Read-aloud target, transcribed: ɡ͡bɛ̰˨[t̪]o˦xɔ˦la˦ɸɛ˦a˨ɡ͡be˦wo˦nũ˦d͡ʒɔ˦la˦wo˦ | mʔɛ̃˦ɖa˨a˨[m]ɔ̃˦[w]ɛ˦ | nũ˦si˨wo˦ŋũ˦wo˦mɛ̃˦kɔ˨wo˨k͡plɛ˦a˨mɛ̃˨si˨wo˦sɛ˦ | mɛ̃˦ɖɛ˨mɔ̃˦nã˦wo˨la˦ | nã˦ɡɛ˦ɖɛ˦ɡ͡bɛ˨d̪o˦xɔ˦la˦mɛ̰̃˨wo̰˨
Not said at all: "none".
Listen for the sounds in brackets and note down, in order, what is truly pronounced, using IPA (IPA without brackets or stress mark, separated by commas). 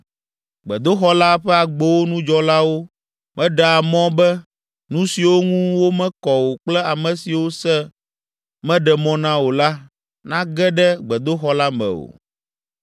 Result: d̪, m, b